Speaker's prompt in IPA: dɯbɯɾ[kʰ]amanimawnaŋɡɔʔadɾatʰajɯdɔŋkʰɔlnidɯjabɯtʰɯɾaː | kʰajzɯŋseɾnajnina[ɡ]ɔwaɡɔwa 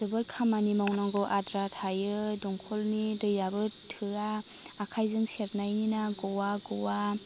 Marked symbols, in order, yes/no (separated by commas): yes, yes